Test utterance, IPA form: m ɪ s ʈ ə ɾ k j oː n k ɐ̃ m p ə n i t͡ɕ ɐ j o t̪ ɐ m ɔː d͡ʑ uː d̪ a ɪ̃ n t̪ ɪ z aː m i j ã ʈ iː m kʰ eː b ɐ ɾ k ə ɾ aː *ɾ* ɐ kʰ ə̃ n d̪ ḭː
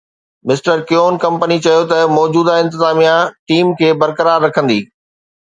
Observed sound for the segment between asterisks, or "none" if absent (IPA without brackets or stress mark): ɾː